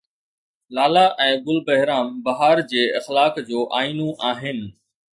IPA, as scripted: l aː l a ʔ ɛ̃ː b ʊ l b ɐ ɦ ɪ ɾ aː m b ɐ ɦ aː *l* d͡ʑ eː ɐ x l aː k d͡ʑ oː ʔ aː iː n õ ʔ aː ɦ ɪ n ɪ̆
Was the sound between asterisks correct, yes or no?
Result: no